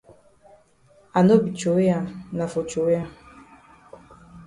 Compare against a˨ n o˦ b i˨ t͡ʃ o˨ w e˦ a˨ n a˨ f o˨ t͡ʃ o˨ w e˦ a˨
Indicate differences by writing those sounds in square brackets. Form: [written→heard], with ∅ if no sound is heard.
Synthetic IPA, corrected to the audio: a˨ n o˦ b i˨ t͡ʃ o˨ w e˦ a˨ n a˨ f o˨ t͡ʃ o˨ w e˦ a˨